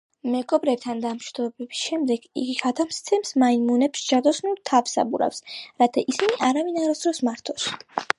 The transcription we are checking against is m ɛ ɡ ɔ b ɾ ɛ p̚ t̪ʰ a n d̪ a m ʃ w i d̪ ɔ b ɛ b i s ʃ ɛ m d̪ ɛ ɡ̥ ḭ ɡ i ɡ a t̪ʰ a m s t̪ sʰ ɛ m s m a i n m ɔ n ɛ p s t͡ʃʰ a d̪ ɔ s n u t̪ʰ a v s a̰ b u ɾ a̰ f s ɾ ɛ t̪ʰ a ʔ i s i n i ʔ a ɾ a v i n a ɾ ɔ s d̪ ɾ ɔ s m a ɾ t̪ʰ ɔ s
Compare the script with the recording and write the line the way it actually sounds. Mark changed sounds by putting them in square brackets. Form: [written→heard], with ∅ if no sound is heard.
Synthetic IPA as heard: m ɛ ɡ ɔ b ɾ ɛ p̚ t̪ʰ a n d̪ a m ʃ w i d̪ ɔ b ɛ b i s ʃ ɛ m d̪ ɛ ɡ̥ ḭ ɡ i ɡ a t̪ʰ a m s t̪ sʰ ɛ m s m a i n m [ɔ→u] n ɛ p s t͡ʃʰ a d̪ ɔ s n u t̪ʰ a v s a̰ b u ɾ a̰ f s ɾ [ɛ→a] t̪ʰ a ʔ i s i n i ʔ a ɾ a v i n a ɾ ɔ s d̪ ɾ ɔ s m a ɾ t̪ʰ ɔ s